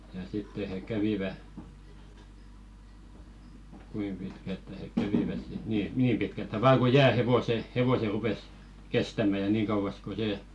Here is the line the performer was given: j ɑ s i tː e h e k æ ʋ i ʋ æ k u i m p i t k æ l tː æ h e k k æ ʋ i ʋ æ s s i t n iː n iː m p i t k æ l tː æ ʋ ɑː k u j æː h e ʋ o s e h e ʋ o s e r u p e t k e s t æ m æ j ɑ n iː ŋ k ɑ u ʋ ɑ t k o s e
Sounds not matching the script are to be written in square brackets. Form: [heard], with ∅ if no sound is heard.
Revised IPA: j ɑ s i tː e h e k æ ʋ i ʋ æ k u i m p i t k æ l tː æ h e k k æ ʋ i ʋ æ s s i t n iː n iː m p i t k æ l tː æ ʋ ɑː k u j æː h e ʋ o s e h e ʋ o s e r u p e [s] k e s t æ m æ j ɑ n iː ŋ k ɑ u ʋ ɑ [s] k o s e

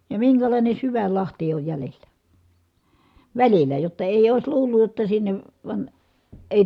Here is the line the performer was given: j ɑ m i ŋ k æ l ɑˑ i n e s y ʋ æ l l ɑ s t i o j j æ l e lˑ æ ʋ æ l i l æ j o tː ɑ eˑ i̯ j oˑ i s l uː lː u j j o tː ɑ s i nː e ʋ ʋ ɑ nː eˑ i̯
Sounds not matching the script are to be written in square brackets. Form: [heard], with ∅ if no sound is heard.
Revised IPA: j ɑ m i ŋ k æ l ɑˑ i n e s y ʋ æ l l ɑ [h] t i o j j æ l e lˑ æ ʋ æ l i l æ j o tː ɑ eˑ i̯ j oˑ i s l uː lː u j j o tː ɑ s i nː e ʋ ʋ ɑ [n] eˑ i̯

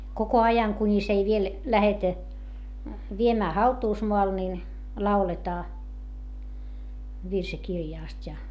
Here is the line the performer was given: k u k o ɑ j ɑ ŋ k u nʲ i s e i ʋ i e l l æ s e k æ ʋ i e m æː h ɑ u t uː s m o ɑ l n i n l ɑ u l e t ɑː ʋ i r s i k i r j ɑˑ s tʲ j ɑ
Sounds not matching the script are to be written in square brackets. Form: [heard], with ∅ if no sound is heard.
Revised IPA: k [o] k o ɑ j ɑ ŋ k u nʲ i s e i ʋ i e l l æ [h] e [t] æ ʋ i e m æː h ɑ u t uː s m o ɑ l n i n l ɑ u l e t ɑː ʋ i r s i k i r j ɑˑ s tʲ j ɑ

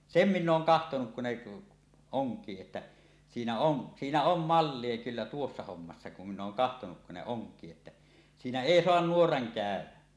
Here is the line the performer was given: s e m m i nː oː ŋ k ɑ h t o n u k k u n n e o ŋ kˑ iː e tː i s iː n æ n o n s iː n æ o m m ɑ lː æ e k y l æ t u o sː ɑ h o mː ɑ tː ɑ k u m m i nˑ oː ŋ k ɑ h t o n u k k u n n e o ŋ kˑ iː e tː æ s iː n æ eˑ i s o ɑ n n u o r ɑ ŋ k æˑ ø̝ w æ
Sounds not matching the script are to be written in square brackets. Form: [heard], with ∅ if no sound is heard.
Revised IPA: s e m m i nː oː ŋ k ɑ h t o n u k k u n n e o ŋ kˑ iː e tː [æ] s iː n æ [∅] o n s iː n æ o m m ɑ lː [i] e k y [lː] æ t u o sː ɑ h o mː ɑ [sː] ɑ k u m m i nˑ oː ŋ k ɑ h t o n u k k u n n e o ŋ kˑ iː e tː æ s iː n æ eˑ i s o ɑ n n u o r ɑ ŋ k æˑ ø̝ w æ

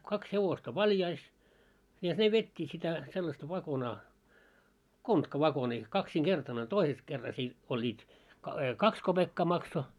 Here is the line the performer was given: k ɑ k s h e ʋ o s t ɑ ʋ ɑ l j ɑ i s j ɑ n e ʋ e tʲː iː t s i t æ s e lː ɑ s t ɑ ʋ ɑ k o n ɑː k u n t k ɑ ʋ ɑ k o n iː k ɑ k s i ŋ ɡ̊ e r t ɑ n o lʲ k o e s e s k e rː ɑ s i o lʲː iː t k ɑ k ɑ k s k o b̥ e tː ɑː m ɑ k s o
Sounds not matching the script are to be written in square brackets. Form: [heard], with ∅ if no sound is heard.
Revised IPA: k ɑ k s h e ʋ o s t ɑ ʋ ɑ l j ɑ i s j ɑ n e ʋ e tʲː iː t s i t æ s e lː ɑ s t ɑ ʋ ɑ k o n ɑː k [o] n t k ɑ ʋ ɑ k o n iː k ɑ k s i ŋ ɡ̊ e r t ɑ n o lʲ [t] o [i] s e s k e rː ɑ s i o lʲː iː t k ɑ k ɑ k s k o b̥ e [kː] ɑː m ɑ k s o

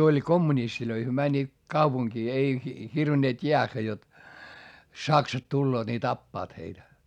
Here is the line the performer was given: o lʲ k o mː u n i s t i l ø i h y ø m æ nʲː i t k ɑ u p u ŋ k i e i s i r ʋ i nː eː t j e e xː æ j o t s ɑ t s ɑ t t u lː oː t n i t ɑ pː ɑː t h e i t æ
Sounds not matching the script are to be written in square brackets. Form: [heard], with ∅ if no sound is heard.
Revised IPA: o lʲ k o mː u n i s t i l ø i h y ø m æ nʲː [iː] t k ɑ u p u ŋ k [iː] e i [h] i r ʋ i nː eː t j e [æ] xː æ j o t s ɑ [k] s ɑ t t u lː oː t n i t ɑ pː ɑː t h e i t æ

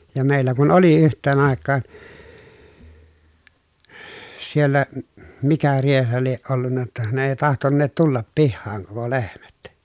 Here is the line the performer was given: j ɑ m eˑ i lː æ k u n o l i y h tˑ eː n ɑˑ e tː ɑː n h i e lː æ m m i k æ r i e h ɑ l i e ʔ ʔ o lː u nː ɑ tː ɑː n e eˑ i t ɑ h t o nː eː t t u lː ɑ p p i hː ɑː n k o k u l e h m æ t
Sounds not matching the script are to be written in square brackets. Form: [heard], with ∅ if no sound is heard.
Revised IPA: j ɑ m eˑ i lː æ k u n o l i y h tˑ eː n ɑˑ e [kː] ɑː n [s] i e lː æ m m i k æ r i e h ɑ l i e ʔ ʔ o lː u nː ɑ tː [ɑ] n e eˑ i t ɑ h t o nː eː t t u lː ɑ p p i hː ɑː [ŋ] k o k [o] l e h m æ t

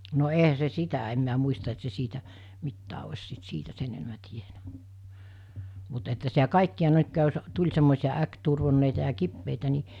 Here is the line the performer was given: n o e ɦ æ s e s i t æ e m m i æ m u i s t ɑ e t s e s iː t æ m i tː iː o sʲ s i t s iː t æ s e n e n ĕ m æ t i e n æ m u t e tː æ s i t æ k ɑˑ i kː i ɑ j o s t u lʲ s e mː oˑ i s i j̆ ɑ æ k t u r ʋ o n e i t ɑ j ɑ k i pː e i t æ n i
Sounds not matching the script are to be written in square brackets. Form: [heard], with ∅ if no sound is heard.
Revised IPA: n o e ɦ æ s e s i t æ e m m i æ m u i s t ɑ e t s e s iː t æ m i tː [æː] o sʲ s i t s iː t æ s e n e n ĕ m æ t i e n æ m u t e tː æ s i t æ k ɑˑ i kː i ɑ j o s t u lʲ s e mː oˑ i s i j̆ ɑ æ k t u r ʋ o [nː] e i t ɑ j ɑ k i pː e i t æ n i

